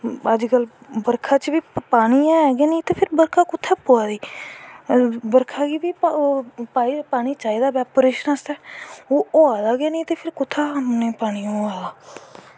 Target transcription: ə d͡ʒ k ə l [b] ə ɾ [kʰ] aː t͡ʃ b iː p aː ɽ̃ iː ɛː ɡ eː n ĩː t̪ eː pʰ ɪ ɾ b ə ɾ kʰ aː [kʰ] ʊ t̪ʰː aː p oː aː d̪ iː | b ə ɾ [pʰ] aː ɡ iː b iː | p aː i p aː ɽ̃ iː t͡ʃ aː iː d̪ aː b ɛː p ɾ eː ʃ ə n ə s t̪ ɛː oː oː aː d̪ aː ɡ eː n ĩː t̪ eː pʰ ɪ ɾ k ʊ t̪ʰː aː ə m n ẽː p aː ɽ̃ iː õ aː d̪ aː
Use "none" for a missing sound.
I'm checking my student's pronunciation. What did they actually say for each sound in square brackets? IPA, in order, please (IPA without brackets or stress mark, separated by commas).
b, kʰ, k, kʰ